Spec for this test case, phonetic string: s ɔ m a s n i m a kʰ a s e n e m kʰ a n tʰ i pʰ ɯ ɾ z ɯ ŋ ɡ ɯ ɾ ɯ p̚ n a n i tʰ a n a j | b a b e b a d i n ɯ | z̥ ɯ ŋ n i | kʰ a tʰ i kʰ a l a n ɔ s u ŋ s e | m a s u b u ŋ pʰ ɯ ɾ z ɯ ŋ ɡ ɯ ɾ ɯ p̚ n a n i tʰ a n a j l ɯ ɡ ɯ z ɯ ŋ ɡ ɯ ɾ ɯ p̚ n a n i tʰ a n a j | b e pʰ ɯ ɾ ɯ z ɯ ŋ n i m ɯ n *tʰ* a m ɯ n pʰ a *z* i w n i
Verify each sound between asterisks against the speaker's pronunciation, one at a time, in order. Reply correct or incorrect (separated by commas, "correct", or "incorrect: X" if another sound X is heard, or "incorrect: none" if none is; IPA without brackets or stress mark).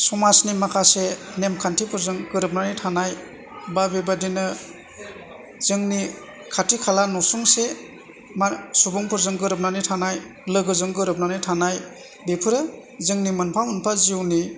incorrect: pʰ, correct